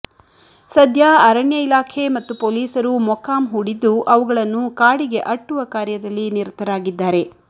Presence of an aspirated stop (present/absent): present